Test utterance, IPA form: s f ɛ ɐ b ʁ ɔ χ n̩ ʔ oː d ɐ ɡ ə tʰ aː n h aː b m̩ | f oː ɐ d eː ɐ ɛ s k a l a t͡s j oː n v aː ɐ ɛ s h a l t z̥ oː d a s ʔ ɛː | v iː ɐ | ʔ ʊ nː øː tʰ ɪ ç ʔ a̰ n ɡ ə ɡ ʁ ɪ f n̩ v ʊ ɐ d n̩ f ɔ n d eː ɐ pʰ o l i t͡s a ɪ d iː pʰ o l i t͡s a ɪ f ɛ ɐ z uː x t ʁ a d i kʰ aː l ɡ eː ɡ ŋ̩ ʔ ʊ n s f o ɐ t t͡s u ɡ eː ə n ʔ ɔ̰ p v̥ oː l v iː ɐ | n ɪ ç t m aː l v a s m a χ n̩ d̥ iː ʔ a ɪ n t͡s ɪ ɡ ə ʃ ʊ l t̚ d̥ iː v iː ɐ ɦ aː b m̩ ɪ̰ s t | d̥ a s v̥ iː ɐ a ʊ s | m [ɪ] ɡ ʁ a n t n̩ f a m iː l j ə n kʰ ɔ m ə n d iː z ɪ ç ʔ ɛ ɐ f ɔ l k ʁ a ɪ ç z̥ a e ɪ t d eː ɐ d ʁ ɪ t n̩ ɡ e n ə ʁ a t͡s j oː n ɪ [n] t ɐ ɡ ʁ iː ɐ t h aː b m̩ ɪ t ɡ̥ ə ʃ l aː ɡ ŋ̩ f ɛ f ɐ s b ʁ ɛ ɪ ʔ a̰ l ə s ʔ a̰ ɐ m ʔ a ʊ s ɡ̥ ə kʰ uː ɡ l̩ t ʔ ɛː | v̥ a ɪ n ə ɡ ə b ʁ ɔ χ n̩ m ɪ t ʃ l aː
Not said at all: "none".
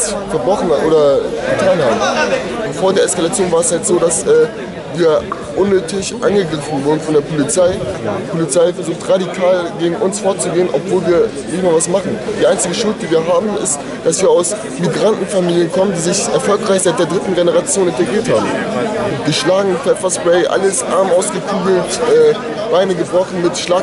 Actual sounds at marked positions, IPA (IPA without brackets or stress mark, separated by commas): i, n